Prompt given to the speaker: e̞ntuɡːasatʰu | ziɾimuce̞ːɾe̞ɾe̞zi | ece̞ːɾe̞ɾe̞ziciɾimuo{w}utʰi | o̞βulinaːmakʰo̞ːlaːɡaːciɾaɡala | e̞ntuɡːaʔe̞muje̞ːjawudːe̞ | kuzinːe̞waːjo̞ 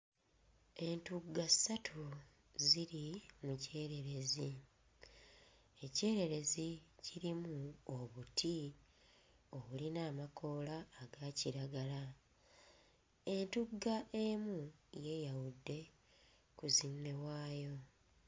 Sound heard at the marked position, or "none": β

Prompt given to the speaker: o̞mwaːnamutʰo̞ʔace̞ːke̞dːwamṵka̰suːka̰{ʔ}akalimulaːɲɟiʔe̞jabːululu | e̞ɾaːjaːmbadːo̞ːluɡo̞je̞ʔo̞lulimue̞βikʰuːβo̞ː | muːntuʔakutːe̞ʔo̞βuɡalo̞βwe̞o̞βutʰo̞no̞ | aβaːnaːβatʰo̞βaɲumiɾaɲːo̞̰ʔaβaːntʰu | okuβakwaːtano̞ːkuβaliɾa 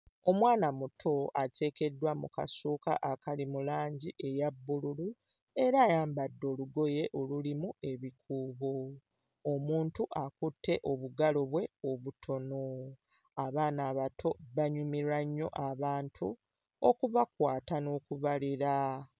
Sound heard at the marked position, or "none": ʔ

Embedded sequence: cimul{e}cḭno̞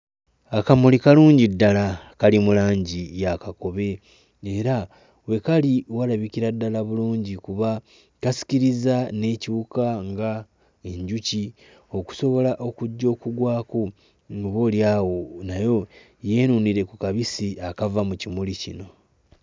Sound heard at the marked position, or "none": i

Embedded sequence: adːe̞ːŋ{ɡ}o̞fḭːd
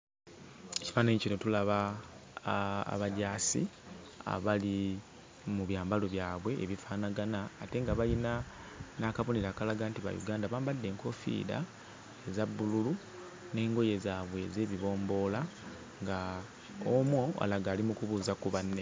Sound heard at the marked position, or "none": k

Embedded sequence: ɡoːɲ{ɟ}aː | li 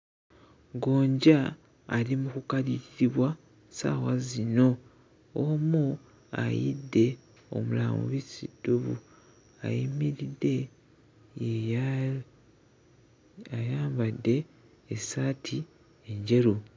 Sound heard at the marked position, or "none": ɟ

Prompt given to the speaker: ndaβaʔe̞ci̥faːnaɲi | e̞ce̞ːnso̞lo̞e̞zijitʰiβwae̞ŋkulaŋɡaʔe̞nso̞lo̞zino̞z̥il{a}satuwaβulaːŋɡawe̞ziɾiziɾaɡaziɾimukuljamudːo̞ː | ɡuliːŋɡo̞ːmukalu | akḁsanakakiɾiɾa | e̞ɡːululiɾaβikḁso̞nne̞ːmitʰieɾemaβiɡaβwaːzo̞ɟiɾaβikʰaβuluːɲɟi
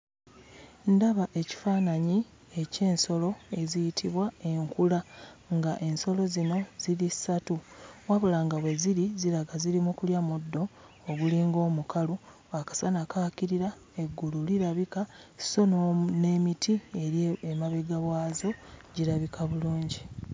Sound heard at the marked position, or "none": i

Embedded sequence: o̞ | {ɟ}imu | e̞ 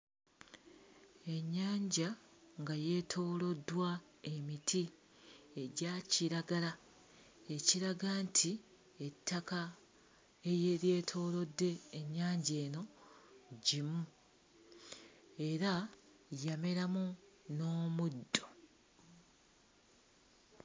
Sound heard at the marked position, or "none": ɟ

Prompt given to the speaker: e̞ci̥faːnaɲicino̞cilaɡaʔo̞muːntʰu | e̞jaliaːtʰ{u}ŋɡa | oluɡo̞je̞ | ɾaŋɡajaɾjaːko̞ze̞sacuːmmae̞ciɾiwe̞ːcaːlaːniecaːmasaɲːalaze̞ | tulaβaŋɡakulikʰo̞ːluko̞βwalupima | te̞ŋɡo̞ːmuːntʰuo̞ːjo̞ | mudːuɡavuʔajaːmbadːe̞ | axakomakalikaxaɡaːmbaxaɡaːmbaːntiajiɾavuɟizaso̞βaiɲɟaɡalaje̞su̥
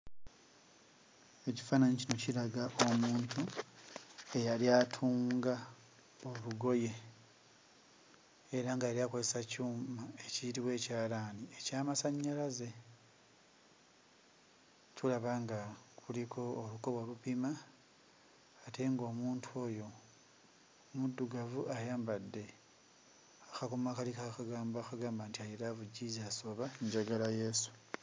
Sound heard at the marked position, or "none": uː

